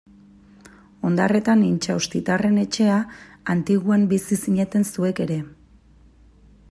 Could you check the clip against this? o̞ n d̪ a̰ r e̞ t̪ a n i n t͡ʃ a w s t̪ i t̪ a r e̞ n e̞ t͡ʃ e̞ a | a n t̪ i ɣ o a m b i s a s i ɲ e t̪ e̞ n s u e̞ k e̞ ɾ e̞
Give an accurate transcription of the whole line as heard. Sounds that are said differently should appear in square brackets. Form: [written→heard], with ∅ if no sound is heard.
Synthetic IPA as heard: o̞ n d̪ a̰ r e̞ t̪ a n i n t͡ʃ a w s t̪ i t̪ a r e̞ n e̞ t͡ʃ e̞ a | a n t̪ i ɣ [o→u] a m b i s [a→i] s i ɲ e t̪ e̞ n s u e̞ k e̞ ɾ e̞